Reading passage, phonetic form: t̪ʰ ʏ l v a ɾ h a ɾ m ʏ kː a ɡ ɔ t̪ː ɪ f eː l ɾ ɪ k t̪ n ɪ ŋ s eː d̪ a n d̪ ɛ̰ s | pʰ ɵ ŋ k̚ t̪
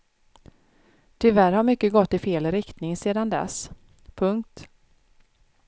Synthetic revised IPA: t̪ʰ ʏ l v æ ɾ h a ɾ m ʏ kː ə ɡ ɔ t̪ː ɪ f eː l ɾ ɪ k t̪ n ɪ ŋ s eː d̪ a n d̪ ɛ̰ s | pʰ ɵ ŋ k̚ t̪